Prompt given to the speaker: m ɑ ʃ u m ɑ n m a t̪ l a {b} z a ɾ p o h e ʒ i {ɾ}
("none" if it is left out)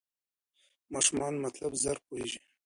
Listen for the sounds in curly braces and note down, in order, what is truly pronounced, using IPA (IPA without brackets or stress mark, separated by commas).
b, none